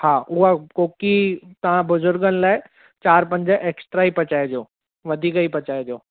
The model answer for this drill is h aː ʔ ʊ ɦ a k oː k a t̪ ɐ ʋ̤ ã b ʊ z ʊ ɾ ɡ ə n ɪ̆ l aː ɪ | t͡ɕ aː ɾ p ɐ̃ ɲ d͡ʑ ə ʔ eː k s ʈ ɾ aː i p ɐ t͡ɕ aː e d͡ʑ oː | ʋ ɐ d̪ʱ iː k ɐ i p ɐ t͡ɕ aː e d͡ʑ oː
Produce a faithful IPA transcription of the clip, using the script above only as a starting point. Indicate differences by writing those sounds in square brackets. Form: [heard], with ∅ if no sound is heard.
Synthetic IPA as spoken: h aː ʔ ʊ ɦ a k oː k [i] t̪ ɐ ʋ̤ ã b ʊ z ʊ ɾ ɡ ə n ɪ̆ l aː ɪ | t͡ɕ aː ɾ p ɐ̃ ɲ d͡ʑ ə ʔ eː k s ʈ ɾ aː i p ɐ t͡ɕ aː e d͡ʑ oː | ʋ ɐ d̪ʱ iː k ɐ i p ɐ t͡ɕ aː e d͡ʑ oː